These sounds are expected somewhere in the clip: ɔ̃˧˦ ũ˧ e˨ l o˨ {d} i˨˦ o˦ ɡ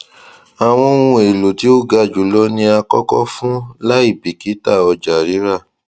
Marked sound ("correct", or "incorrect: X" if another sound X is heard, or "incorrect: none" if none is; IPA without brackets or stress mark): incorrect: t